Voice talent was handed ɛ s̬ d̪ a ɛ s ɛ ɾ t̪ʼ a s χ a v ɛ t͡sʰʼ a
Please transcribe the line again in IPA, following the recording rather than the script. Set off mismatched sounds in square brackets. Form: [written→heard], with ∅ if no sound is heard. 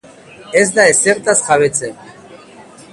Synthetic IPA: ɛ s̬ d̪ a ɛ s ɛ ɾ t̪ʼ a s χ a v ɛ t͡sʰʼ [a→ɛ]